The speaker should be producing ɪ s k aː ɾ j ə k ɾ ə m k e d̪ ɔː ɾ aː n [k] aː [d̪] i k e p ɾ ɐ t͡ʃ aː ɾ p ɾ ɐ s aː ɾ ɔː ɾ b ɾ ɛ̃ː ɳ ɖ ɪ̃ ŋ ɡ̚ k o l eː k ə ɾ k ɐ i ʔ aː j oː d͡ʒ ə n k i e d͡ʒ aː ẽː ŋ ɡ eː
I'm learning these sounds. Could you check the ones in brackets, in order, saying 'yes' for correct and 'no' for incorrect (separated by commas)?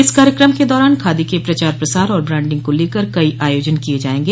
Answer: no, yes